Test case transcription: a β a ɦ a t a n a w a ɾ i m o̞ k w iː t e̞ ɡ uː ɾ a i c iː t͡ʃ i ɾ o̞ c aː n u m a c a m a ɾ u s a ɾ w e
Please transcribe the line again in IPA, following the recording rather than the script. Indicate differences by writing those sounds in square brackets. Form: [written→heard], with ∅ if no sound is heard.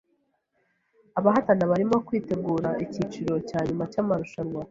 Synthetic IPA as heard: a β a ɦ a t a n a [w→β] a ɾ i m o̞ k w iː t e̞ ɡ uː ɾ a i c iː t͡ʃ i ɾ o̞ c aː [n→ɲ] u m a c a m a ɾ u [s→ʃ] a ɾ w [e→a]